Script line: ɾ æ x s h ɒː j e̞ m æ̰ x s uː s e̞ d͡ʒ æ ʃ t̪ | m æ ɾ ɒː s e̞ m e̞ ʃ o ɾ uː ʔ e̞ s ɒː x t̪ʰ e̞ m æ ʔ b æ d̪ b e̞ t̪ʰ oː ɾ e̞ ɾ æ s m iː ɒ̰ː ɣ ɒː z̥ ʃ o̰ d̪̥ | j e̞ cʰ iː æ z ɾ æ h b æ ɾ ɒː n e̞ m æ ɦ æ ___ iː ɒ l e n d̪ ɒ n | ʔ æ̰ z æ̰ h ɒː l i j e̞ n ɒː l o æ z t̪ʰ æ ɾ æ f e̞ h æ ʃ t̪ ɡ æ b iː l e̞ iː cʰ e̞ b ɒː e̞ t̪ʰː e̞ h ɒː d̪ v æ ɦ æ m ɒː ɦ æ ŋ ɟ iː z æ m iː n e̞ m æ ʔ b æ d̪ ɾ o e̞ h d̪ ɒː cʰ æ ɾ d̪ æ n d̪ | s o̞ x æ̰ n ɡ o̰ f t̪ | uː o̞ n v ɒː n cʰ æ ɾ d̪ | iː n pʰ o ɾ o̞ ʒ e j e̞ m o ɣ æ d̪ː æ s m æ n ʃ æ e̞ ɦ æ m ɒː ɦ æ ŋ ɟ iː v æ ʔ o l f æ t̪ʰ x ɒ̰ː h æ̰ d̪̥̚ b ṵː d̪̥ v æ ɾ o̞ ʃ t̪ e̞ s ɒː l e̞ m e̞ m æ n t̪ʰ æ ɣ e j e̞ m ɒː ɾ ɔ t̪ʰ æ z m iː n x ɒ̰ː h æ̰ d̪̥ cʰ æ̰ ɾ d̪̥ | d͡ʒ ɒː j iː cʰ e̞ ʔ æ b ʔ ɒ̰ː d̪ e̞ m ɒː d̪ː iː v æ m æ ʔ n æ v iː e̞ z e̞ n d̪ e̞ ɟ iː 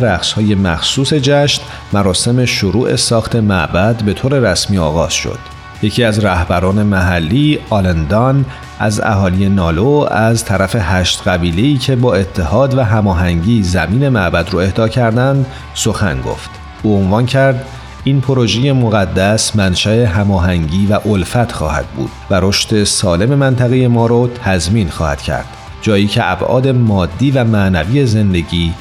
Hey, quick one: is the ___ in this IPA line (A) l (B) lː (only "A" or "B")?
B